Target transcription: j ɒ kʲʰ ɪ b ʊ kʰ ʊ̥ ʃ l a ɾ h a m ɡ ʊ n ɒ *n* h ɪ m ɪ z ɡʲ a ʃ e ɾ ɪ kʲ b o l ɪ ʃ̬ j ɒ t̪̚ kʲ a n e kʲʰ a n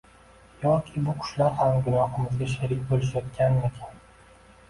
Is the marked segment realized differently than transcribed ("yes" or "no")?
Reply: yes